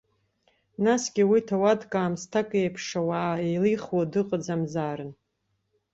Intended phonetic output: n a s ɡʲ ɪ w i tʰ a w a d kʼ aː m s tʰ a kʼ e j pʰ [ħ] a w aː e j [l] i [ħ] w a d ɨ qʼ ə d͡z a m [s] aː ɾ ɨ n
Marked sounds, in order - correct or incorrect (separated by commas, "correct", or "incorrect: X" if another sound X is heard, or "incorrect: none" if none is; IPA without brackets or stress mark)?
incorrect: ʂ, correct, incorrect: χ, incorrect: z